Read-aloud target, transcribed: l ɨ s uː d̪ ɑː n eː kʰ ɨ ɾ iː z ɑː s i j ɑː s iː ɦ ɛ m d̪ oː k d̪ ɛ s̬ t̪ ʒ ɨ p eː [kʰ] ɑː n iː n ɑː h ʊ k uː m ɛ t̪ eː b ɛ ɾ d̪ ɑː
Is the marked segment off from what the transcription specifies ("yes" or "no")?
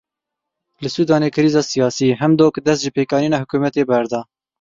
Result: yes